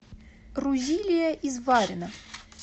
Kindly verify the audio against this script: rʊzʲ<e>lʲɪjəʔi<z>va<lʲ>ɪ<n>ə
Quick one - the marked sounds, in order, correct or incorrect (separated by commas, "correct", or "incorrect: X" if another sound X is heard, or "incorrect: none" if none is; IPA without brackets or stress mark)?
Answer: incorrect: i, correct, incorrect: ɾʲ, correct